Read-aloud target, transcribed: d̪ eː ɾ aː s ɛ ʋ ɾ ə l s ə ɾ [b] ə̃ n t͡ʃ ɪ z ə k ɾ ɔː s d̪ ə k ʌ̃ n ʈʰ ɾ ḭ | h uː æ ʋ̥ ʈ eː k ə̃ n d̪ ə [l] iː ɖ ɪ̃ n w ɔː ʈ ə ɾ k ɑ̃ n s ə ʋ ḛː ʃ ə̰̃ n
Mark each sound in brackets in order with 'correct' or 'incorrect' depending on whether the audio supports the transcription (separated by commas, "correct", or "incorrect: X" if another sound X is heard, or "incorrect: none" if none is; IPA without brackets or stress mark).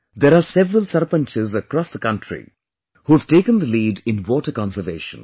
incorrect: p, correct